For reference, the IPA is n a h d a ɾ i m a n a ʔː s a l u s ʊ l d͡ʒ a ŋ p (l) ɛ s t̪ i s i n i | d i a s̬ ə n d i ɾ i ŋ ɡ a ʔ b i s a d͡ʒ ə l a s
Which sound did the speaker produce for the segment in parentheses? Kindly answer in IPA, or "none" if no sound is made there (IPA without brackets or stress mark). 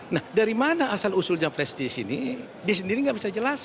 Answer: l